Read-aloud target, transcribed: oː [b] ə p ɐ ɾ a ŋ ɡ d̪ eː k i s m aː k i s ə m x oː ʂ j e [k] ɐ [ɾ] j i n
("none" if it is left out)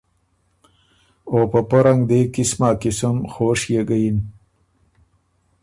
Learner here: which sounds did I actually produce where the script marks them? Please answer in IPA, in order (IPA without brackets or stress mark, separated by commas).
p, ɡ, none